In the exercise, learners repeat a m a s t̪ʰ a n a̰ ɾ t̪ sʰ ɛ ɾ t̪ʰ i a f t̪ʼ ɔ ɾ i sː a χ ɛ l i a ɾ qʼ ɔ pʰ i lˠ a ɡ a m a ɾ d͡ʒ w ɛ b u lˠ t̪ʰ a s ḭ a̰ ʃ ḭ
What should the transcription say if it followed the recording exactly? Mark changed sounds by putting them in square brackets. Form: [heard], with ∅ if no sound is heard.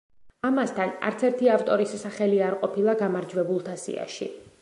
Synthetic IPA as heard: a m a s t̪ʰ a n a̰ ɾ t̪ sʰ ɛ ɾ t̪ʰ i a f t̪ʼ ɔ ɾ i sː a χ ɛ l i a ɾ qʼ ɔ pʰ i lˠ a ɡ a m a ɾ d͡ʒ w ɛ b u lˠ t̪ʰ a s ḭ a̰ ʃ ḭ

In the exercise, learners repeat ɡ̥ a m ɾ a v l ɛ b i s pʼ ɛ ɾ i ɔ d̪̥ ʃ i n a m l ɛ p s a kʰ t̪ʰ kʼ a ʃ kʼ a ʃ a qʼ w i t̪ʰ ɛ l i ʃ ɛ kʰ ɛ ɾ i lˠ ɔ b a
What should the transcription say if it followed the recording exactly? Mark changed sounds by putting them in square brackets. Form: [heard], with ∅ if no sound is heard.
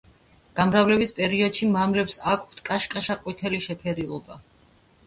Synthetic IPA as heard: ɡ̥ a m ɾ a v l ɛ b i s pʼ ɛ ɾ i ɔ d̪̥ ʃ i [m] a m l ɛ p s a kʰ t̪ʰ kʼ a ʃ kʼ a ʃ a qʼ w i t̪ʰ ɛ l i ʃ ɛ [pʰ] ɛ ɾ i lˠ ɔ b a

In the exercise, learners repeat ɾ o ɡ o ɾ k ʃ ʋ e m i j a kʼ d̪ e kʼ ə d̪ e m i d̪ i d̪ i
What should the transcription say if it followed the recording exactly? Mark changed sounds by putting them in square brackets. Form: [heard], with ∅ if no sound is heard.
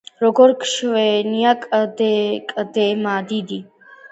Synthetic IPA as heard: ɾ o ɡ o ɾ k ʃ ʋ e [n] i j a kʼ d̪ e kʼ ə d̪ e m [a] d̪ i d̪ i

